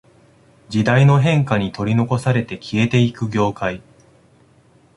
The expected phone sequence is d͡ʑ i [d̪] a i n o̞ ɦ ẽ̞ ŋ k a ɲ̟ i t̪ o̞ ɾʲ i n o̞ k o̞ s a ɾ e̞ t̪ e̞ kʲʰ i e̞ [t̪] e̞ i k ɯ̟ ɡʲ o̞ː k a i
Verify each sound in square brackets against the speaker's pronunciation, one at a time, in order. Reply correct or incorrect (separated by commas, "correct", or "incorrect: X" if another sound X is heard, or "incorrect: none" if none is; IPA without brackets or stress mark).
correct, correct